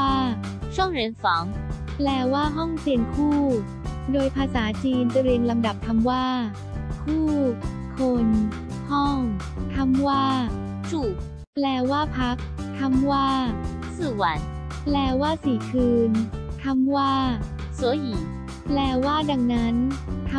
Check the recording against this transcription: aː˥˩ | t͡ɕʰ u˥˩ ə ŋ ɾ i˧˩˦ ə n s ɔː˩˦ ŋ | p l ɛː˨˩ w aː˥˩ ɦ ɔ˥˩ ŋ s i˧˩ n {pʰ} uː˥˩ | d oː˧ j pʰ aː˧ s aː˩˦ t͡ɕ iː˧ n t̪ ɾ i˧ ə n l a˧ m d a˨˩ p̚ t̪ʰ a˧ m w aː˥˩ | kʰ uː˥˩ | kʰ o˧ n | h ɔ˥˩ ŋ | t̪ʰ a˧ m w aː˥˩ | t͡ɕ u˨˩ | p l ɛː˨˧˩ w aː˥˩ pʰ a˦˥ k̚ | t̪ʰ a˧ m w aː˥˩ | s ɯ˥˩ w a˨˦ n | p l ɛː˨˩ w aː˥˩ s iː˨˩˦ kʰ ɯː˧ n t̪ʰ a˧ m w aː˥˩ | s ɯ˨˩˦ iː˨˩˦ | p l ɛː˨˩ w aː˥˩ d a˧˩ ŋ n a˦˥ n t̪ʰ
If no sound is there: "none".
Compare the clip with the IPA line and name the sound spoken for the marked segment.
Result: kʰ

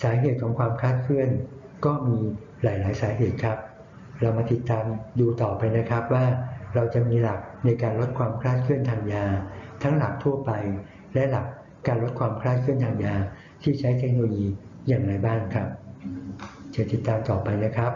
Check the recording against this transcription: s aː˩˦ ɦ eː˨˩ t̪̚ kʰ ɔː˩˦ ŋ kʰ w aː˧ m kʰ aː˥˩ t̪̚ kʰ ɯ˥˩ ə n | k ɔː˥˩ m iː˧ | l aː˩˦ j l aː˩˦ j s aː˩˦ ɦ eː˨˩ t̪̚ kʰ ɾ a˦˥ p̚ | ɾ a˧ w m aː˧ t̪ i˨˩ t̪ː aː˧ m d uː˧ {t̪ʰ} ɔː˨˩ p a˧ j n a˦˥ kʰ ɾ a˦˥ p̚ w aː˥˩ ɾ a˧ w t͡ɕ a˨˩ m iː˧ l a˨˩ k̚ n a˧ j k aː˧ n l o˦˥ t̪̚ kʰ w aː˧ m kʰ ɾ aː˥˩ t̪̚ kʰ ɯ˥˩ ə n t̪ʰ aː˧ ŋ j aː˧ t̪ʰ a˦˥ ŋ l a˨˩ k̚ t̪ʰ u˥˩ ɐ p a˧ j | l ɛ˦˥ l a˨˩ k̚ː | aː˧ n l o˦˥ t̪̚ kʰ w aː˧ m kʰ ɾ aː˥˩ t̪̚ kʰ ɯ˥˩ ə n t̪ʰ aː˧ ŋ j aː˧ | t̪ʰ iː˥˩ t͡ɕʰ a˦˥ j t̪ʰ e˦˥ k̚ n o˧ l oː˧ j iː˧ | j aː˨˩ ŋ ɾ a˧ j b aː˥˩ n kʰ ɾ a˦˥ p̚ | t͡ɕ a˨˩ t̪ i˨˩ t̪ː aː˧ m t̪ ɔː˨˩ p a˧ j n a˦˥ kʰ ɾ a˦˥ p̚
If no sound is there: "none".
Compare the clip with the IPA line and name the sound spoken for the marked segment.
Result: t̪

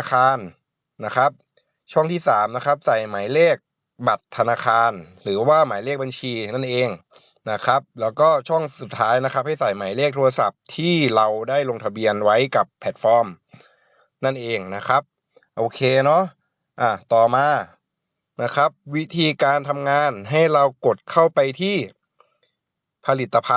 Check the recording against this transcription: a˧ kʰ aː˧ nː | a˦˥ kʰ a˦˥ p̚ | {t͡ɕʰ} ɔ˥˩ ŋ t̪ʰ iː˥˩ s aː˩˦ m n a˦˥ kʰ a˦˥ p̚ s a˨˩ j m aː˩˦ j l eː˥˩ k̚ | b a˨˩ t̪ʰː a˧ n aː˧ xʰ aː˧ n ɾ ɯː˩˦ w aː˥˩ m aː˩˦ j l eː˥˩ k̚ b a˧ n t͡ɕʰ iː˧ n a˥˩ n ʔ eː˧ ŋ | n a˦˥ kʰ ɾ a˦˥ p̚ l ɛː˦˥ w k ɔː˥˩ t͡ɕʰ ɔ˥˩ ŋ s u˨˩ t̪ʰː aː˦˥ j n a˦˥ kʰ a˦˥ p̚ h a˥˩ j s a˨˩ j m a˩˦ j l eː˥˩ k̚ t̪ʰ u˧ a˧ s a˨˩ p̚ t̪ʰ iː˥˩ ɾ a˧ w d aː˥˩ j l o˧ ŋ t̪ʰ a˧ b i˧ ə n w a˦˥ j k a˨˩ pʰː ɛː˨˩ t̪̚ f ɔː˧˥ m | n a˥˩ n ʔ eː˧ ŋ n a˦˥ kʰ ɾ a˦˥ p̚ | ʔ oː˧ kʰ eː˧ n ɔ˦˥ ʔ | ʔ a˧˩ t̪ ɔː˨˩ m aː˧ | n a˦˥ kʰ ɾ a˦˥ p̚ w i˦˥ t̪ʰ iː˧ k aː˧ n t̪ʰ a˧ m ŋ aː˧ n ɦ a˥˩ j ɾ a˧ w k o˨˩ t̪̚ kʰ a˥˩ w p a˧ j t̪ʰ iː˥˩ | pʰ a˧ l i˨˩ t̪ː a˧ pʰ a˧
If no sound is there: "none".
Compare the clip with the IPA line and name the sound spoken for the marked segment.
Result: t͡ɕʰ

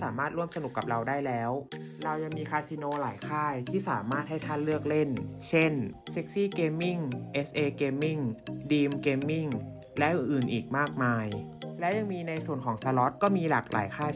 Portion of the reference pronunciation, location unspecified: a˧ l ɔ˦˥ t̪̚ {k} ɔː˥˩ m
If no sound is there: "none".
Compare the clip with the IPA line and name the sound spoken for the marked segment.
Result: k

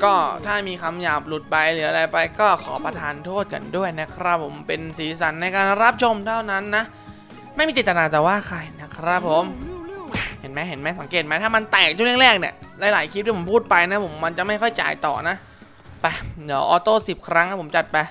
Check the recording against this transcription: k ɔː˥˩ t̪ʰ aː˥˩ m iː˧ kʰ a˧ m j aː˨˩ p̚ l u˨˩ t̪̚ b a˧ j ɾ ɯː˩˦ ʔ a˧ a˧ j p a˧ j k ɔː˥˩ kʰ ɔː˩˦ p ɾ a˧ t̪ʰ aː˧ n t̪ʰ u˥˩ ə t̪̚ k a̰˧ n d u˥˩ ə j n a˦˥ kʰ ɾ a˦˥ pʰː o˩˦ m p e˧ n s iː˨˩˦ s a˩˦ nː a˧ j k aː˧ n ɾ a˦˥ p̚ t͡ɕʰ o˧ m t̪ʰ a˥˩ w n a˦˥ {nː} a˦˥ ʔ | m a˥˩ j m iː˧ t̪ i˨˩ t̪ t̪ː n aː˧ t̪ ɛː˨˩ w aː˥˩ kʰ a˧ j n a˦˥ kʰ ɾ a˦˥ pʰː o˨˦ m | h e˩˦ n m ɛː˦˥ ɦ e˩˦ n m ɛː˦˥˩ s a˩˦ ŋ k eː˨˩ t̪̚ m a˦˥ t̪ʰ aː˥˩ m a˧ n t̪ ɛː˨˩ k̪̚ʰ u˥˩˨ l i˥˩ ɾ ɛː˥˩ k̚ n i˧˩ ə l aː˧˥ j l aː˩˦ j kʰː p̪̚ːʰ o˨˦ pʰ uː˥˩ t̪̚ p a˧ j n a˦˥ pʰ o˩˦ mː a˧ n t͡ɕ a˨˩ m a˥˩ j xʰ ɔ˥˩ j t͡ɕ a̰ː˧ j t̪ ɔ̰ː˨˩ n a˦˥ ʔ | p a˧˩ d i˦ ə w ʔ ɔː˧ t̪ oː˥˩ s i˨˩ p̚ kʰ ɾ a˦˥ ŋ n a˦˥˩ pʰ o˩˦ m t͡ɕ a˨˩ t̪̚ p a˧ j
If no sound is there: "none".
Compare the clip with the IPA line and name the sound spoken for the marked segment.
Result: nː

